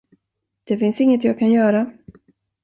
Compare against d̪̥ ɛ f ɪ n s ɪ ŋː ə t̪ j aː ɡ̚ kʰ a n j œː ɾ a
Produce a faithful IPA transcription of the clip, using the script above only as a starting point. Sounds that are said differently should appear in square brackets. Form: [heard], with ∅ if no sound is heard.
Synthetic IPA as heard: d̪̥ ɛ f ɪ n s ɪ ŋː ə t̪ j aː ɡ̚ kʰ a n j œː ɾ a